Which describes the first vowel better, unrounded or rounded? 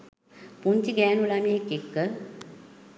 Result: rounded